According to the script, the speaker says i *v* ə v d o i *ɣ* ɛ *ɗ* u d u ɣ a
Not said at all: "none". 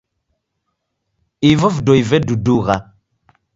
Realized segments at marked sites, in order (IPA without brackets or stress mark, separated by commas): v, v, d